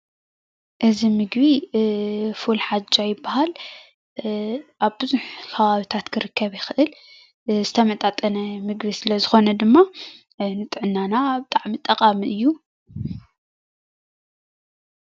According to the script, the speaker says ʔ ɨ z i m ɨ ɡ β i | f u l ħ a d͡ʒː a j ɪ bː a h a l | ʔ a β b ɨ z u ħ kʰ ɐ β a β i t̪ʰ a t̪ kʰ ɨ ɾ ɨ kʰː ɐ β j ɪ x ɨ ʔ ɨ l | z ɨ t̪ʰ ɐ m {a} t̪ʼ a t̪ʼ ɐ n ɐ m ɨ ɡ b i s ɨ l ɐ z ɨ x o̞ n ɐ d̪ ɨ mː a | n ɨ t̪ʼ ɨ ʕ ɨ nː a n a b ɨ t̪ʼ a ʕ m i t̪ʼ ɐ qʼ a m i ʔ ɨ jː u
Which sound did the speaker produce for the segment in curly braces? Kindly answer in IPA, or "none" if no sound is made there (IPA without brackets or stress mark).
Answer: ɐ